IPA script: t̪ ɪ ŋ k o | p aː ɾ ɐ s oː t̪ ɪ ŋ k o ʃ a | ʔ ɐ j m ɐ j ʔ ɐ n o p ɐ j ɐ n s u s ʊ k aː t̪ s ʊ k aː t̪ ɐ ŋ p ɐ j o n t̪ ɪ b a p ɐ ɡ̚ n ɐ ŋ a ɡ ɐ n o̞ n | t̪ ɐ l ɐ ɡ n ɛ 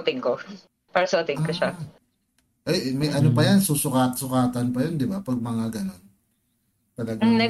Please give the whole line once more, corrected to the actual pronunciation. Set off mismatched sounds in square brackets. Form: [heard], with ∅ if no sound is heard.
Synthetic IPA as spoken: t̪ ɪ ŋ k o | p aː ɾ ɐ s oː t̪ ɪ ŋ k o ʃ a | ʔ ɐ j m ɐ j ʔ ɐ n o p ɐ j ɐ n s u s ʊ k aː t̪ s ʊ k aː t̪ ɐ [n] p ɐ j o n [d̪] ɪ b a p ɐ ɡ̚ [m] ɐ ŋ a ɡ ɐ n o̞ n | t̪ ɐ l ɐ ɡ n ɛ